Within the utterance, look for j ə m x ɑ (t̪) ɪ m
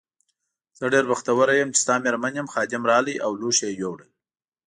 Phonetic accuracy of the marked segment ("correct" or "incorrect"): incorrect